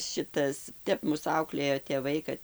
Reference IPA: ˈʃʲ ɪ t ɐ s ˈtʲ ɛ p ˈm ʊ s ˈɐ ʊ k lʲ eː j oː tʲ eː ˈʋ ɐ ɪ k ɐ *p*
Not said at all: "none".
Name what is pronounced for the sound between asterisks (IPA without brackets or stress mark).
t